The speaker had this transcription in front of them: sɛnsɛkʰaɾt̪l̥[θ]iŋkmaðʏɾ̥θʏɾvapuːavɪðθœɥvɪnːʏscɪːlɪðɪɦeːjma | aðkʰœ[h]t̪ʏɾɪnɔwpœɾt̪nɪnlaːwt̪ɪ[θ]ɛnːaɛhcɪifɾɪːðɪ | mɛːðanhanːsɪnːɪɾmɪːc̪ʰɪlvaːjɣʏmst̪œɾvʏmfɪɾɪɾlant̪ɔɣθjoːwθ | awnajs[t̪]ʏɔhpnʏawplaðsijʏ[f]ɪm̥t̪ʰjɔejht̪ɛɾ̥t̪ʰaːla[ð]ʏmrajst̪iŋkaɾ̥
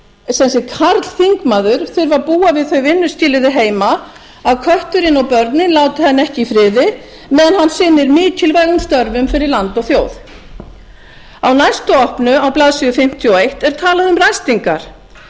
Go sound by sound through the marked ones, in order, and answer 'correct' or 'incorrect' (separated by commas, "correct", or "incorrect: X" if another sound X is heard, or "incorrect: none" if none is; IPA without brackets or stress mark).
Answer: correct, correct, correct, correct, correct, correct